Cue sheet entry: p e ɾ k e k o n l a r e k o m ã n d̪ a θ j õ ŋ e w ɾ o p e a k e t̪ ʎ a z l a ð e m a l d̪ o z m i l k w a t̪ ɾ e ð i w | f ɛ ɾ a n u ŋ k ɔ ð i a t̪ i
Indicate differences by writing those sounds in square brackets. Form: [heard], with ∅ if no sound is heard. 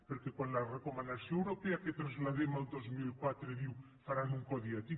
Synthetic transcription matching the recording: p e ɾ k e k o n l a r e k o m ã n d̪ a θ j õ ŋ e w ɾ o p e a k e t̪ [ɾ] a z l a ð e m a l d̪ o z m i l k w a t̪ ɾ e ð i w | f [a] ɾ a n u ŋ k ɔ ð i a t̪ i